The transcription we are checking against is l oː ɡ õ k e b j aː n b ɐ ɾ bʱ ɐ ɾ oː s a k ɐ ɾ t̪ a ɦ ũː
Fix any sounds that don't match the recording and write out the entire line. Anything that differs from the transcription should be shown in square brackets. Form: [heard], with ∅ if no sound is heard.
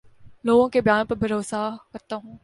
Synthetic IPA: l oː ɡ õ k e b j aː n [p] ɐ ɾ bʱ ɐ ɾ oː s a k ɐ ɾ t̪ a ɦ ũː